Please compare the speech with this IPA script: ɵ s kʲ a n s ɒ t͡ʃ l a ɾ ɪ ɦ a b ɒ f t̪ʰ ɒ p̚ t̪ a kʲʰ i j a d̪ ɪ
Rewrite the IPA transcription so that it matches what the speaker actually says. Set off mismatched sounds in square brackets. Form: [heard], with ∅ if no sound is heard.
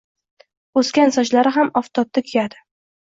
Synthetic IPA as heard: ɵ s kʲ a n s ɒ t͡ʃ l a ɾ ɪ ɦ a [m] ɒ f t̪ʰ ɒ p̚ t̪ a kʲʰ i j a d̪ ɪ